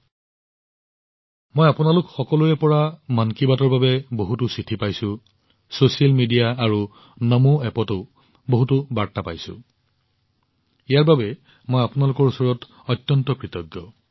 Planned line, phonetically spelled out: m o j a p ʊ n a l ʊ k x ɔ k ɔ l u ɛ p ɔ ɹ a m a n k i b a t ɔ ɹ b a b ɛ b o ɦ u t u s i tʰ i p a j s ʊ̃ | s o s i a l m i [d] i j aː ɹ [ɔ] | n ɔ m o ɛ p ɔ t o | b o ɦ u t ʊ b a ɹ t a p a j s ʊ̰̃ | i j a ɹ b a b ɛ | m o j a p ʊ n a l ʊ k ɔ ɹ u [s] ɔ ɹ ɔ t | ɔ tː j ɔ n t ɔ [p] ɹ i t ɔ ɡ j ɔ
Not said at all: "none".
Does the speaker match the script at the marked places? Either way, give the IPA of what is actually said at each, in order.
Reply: d, u, s, k

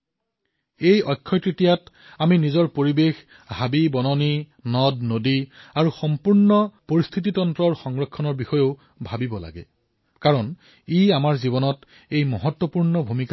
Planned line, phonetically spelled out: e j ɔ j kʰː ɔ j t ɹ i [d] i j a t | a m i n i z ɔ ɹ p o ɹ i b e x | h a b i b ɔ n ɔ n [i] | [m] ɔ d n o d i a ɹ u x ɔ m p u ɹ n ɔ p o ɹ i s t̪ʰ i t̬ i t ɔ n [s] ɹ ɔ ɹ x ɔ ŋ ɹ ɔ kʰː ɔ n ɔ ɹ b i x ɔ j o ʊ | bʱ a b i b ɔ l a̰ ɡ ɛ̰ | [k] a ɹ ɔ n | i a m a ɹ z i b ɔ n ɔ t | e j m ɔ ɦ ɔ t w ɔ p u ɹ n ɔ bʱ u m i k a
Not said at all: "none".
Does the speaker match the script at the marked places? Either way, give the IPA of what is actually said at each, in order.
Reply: t, i, n, t, k

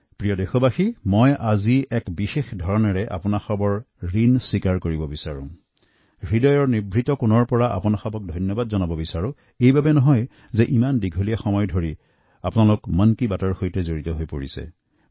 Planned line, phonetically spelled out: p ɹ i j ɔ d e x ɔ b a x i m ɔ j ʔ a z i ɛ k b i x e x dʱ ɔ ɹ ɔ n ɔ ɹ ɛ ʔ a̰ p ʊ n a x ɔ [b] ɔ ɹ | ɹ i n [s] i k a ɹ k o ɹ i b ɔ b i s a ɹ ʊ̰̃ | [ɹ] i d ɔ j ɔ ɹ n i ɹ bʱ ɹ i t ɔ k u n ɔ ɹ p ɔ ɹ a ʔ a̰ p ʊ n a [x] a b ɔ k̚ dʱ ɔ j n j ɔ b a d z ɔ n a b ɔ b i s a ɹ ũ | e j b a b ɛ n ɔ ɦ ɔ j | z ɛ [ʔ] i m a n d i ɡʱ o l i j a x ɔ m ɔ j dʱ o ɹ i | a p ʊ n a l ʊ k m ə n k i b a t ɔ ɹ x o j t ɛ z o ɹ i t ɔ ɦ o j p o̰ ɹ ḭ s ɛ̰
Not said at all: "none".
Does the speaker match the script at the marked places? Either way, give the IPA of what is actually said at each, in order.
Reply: b, s, ɹ, x, ʔ

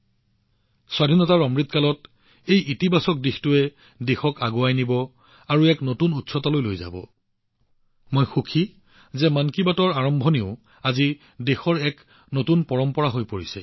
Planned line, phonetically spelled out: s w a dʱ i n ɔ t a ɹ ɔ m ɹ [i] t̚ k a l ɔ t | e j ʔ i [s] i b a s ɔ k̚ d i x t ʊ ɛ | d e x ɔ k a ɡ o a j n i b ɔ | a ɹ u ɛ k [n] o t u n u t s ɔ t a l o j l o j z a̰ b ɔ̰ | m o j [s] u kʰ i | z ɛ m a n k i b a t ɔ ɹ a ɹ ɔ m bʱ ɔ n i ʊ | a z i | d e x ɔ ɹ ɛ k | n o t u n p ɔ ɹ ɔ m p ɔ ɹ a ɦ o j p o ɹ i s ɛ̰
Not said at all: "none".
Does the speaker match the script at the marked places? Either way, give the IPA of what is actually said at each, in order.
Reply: i, t, n, x

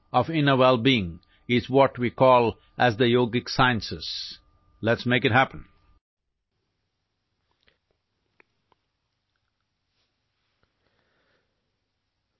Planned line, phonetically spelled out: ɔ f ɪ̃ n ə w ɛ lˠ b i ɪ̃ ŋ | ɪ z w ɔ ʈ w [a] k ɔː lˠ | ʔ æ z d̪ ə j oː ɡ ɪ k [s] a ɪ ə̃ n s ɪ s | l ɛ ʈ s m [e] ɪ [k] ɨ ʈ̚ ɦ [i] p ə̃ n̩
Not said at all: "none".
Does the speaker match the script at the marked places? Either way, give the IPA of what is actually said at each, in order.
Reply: i, s, e, k, æ

